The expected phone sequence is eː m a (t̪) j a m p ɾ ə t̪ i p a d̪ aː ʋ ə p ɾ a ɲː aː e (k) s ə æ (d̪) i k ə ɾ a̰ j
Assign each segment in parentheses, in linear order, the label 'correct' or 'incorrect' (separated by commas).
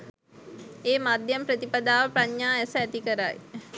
incorrect, incorrect, incorrect